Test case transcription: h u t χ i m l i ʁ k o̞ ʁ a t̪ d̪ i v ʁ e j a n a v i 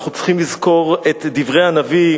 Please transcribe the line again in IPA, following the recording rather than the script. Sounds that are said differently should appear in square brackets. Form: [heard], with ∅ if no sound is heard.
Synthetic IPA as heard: [χ] u [t͡s] χ i m l i [z] k o̞ ʁ [e] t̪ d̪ i v ʁ e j a n a v i